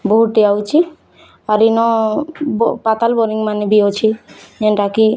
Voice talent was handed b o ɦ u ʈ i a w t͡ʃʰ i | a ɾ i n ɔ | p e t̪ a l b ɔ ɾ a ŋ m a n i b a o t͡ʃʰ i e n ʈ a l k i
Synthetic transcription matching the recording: b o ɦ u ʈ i a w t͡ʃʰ i | a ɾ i n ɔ | p a t̪ a l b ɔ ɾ i ŋ m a n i b i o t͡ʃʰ i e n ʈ a k i

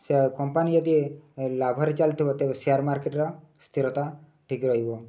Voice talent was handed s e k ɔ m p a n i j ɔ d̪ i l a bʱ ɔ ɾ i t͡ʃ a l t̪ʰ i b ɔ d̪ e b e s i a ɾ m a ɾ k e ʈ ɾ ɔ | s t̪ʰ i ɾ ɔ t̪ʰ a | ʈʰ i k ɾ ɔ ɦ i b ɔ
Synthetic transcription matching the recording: s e k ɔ m p a n i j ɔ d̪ i l a bʱ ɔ ɾ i t͡ʃ a l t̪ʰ i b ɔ t̪ e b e s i a ɾ m a ɾ k e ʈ ɾ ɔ | s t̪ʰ i ɾ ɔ t̪ a | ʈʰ i k ɾ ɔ ɦ i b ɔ

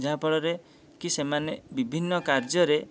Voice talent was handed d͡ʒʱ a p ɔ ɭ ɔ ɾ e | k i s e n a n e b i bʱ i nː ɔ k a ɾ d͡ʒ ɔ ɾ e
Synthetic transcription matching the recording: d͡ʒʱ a p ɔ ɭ ɔ ɾ e | k i s e m a n e b i bʱ i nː ɔ k a ɾ d͡ʒ ɔ ɾ e

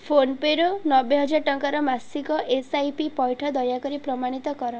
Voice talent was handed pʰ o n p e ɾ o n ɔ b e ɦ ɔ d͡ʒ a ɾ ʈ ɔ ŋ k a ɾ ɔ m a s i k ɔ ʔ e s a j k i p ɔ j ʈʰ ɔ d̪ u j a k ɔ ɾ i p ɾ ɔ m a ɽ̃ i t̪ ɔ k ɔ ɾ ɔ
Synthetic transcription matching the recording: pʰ o n p e ɾ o n ɔ b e ɦ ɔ d͡ʒ a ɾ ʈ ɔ ŋ k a ɾ ɔ m a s i k ɔ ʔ e s a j p i p ɔ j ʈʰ ɔ d̪ ɔ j a k ɔ ɾ i p ɾ ɔ m a ɽ̃ i t̪ ɔ k ɔ ɾ ɔ

